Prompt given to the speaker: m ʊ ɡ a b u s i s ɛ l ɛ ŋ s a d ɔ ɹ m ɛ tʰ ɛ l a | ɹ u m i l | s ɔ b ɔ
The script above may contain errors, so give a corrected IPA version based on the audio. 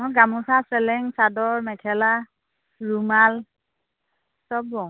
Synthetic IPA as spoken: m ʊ ɡ a m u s a s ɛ l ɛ ŋ s a d ɔ ɹ m ɛ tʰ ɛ l a | ɹ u m a l | s ɔ b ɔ